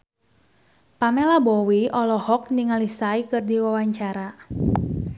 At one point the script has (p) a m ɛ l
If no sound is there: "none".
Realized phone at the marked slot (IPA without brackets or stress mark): p